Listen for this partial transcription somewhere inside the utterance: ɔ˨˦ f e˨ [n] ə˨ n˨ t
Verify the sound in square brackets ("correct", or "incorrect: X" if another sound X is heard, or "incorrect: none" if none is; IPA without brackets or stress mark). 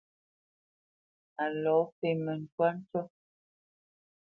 incorrect: m